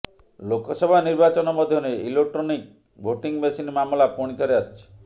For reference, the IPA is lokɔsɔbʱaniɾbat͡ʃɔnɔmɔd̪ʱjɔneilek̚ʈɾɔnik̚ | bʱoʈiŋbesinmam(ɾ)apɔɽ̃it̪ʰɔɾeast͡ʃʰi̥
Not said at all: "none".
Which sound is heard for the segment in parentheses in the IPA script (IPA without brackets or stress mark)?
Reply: l